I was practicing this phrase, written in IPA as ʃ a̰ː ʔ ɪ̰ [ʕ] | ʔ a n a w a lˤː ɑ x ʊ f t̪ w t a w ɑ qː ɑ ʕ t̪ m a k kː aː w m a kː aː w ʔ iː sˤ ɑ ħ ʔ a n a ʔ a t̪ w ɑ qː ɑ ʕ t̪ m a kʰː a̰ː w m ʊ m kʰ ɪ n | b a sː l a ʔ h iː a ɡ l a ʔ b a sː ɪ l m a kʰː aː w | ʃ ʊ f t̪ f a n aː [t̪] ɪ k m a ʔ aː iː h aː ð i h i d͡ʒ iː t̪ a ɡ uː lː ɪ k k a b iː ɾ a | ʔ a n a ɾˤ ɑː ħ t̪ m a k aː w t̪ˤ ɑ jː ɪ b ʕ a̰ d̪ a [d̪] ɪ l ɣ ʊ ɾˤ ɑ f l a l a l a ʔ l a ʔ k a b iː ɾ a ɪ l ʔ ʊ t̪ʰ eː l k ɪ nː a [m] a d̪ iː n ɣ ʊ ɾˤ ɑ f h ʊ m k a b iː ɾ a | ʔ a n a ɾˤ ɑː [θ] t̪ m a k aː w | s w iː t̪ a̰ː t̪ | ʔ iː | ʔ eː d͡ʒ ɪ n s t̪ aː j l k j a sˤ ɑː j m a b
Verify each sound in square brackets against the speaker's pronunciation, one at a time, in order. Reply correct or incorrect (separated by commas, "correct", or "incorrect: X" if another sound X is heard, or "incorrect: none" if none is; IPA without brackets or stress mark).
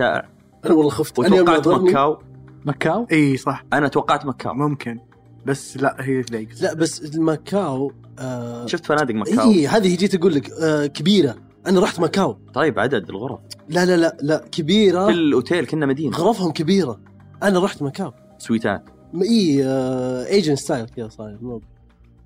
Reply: correct, incorrect: d̪, correct, correct, incorrect: ħ